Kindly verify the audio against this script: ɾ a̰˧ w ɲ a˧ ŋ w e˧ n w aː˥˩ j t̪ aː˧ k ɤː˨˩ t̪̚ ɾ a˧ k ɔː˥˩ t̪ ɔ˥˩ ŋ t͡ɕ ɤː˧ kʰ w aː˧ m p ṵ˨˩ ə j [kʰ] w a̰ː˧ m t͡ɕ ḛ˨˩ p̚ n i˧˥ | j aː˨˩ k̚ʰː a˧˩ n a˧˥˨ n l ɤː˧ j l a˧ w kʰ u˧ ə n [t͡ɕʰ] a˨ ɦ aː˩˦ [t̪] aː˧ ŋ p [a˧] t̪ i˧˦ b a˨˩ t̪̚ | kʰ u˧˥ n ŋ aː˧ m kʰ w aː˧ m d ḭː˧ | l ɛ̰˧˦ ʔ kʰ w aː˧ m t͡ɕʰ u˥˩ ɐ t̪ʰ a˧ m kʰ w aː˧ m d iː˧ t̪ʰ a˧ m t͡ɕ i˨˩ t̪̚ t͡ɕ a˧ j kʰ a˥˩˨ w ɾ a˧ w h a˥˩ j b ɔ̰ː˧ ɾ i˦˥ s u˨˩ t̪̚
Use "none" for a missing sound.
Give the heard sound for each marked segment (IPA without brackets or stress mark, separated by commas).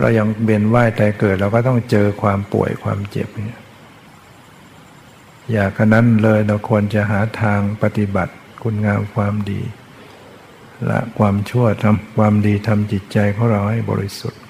kʰ, t͡ɕ, t̪ʰ, a˧